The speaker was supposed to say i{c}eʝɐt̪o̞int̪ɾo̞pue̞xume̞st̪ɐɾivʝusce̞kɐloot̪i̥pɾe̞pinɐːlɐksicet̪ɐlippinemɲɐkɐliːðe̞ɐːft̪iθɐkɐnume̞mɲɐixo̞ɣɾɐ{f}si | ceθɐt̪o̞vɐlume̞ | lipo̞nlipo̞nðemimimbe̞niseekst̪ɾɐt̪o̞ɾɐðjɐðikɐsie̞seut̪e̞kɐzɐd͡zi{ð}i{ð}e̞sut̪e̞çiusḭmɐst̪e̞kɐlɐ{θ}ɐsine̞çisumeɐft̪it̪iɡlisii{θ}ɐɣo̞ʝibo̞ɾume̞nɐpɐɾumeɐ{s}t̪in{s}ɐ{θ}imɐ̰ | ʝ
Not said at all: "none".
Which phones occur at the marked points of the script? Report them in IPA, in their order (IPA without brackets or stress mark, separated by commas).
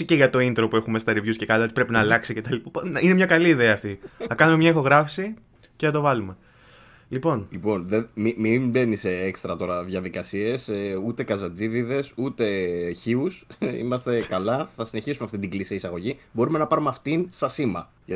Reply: c, f, ð, ð, θ, s, f, s, s